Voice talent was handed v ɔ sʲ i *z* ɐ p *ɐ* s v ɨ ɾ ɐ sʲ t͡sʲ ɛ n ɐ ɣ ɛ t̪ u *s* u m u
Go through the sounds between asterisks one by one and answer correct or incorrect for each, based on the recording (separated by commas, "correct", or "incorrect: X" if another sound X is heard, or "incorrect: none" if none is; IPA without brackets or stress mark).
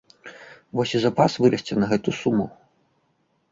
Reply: correct, incorrect: a, correct